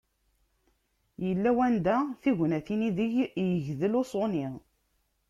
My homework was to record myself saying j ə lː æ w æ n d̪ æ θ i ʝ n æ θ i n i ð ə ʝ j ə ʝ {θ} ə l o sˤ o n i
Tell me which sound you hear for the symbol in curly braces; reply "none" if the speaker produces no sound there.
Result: ð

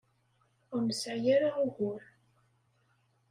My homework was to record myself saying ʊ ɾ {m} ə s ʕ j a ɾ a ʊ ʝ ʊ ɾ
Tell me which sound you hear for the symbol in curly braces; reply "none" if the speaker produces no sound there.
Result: m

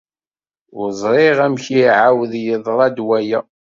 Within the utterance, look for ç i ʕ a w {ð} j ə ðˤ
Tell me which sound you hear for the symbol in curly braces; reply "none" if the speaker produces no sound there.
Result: ð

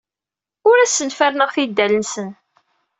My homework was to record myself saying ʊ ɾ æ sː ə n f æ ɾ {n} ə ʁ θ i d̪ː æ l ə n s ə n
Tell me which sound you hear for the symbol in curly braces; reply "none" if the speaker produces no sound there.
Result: n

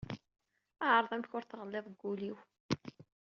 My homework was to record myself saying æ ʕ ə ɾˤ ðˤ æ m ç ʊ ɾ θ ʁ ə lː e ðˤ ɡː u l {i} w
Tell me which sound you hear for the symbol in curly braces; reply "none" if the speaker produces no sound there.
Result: i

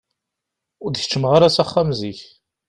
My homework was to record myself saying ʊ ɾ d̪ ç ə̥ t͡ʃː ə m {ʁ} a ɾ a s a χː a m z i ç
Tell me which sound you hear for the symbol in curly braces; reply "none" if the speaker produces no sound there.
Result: ʁ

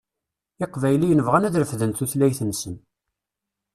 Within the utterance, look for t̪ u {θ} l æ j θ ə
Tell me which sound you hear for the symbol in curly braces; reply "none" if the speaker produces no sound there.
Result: θ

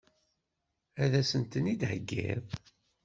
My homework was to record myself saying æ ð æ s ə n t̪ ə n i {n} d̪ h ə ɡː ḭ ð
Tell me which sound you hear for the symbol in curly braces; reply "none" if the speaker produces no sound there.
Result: none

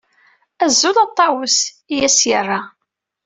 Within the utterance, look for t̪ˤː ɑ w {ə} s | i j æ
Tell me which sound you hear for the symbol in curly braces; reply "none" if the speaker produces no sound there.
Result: ə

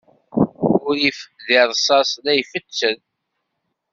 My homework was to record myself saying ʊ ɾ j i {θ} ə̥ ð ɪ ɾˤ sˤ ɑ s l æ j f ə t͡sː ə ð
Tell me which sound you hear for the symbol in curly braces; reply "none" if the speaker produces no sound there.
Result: f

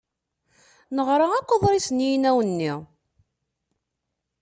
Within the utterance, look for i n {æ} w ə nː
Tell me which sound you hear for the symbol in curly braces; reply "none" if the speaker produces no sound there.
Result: æ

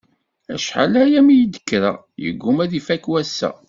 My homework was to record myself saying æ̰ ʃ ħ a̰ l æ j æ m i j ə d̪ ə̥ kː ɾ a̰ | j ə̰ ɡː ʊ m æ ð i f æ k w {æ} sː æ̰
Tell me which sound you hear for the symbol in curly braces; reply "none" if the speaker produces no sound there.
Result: æ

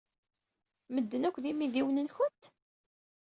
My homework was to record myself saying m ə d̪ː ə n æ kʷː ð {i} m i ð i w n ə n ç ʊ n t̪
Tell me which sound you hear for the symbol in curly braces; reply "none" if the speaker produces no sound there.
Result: i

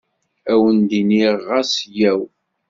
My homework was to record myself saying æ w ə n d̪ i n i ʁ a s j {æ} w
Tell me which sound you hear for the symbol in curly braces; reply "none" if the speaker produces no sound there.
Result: æ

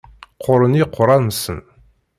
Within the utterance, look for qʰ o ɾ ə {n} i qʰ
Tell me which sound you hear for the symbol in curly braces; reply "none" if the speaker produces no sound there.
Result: n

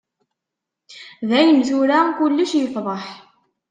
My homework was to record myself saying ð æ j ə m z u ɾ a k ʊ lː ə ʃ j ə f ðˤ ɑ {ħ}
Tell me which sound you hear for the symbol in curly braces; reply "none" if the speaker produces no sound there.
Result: ħ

